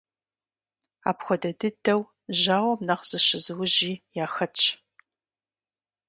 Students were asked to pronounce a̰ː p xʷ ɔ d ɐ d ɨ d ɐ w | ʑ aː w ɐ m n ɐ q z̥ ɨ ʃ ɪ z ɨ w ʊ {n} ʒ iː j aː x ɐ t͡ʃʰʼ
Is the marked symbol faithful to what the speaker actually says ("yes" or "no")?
no